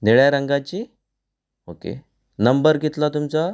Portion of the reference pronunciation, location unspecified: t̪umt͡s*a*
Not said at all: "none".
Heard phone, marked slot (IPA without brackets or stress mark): a